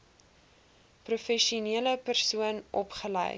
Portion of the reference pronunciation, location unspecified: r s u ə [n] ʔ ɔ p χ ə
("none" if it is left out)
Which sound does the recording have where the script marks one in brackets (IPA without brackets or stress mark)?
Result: n